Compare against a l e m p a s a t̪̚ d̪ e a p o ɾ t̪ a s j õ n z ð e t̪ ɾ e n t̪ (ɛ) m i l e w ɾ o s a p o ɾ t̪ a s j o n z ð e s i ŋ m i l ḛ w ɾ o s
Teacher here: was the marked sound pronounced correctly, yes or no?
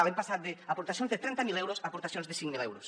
no